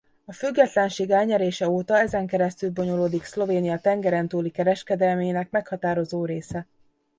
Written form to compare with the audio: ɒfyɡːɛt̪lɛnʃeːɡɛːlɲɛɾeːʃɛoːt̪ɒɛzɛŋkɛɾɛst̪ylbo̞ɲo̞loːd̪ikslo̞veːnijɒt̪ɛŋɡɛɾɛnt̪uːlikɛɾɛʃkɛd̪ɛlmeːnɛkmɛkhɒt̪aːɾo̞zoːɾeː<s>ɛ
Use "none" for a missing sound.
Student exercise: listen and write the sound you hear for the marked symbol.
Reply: s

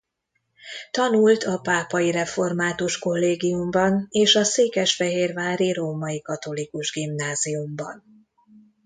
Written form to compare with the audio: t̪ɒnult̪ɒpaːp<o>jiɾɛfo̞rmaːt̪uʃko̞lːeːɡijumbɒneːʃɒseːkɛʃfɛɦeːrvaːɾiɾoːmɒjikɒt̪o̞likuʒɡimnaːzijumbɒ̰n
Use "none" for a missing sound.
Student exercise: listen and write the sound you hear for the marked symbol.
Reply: ɒ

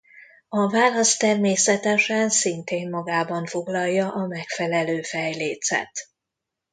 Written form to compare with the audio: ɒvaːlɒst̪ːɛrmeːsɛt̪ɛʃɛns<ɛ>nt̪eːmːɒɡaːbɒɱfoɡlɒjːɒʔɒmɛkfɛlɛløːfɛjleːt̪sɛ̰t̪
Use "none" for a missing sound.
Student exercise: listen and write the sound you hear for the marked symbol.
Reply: i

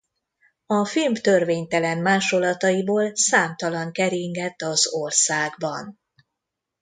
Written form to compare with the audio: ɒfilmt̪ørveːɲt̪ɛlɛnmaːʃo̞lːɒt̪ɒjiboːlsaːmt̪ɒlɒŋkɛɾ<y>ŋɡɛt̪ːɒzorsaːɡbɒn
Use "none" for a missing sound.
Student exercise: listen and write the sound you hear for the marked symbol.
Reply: i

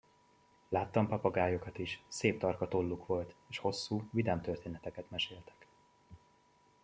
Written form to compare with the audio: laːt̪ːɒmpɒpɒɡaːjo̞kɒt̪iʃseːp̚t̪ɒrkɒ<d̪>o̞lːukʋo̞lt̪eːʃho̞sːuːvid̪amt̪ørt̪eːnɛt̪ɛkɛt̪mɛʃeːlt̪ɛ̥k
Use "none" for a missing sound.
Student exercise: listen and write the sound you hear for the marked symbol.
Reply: t̪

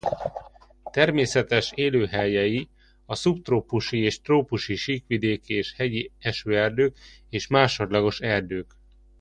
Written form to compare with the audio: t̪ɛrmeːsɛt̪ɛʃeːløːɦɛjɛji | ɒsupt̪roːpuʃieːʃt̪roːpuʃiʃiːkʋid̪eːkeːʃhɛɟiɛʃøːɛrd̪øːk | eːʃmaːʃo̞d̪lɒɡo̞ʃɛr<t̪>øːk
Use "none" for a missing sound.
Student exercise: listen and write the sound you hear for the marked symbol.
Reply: d̪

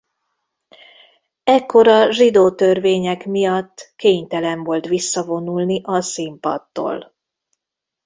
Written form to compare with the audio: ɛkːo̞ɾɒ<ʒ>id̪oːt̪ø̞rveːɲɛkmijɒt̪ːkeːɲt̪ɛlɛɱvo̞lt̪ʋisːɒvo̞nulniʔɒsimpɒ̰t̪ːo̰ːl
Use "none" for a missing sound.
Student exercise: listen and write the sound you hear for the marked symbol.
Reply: ʒ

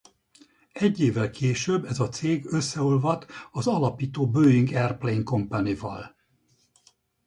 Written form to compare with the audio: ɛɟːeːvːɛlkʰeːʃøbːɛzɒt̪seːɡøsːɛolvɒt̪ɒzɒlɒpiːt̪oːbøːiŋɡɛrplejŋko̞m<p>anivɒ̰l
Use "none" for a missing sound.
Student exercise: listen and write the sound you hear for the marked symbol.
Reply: p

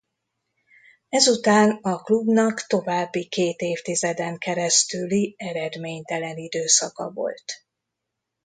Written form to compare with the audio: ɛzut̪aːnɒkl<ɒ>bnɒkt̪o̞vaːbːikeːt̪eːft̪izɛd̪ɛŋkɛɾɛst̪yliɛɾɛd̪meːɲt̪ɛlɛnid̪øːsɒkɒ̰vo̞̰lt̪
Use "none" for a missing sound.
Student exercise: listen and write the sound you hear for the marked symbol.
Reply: u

